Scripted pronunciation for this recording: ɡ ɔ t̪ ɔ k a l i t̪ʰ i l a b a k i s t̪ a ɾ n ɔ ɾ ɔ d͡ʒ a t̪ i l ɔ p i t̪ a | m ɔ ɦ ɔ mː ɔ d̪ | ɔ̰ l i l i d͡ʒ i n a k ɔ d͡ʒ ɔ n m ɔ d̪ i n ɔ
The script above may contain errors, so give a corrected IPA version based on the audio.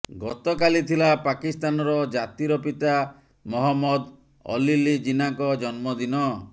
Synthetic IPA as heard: ɡ ɔ t̪ ɔ k a l i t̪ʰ i l a p a k i s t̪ a n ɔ ɾ ɔ d͡ʒ a t̪ i ɾ ɔ p i t̪ a | m ɔ ɦ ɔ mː ɔ d̪ | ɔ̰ l i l i d͡ʒ i n a k ɔ d͡ʒ ɔ n m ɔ d̪ i n ɔ